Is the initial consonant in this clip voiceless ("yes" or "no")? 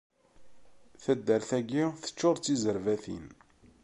yes